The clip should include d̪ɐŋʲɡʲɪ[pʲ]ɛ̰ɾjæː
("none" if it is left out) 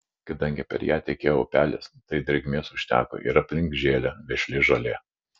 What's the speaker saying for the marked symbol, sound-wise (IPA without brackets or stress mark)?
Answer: pʲ